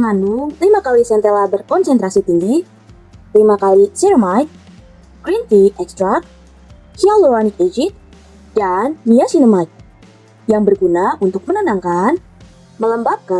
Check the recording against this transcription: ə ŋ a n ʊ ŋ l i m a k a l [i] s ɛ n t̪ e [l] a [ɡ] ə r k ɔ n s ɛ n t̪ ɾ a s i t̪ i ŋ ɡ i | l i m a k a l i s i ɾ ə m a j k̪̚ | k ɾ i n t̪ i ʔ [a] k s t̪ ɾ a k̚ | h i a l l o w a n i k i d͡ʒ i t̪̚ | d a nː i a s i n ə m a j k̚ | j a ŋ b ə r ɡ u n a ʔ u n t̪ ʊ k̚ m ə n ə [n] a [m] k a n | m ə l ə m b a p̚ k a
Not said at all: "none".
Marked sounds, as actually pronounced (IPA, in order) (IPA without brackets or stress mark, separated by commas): i, l, b, ɛ, n, ŋ